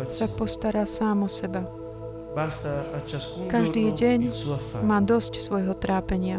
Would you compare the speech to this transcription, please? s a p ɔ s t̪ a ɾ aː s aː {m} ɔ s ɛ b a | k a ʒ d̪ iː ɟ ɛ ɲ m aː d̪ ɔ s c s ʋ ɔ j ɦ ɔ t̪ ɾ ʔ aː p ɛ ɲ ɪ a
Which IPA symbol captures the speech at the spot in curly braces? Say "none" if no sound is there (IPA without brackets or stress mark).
m